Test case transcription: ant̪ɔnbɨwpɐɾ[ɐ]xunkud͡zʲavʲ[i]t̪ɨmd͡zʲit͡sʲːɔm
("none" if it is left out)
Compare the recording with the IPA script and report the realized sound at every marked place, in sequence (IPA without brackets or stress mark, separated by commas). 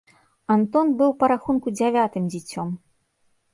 a, a